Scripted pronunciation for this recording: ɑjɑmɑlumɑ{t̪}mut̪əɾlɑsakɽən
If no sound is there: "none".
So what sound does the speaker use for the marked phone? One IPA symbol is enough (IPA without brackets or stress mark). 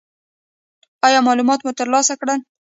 t̪